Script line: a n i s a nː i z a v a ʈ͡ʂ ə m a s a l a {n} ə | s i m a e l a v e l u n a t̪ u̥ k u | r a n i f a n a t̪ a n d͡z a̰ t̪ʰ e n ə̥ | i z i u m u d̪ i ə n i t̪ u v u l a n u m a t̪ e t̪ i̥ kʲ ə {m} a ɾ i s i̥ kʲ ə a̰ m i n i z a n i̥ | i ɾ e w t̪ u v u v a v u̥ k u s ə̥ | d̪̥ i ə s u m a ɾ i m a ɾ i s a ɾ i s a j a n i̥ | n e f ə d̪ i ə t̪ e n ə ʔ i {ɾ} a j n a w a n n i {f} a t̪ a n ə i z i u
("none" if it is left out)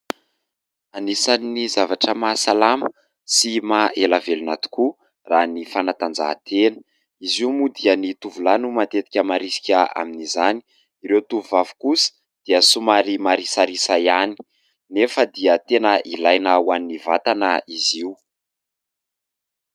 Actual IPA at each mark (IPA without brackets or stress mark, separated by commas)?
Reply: m, m, l, v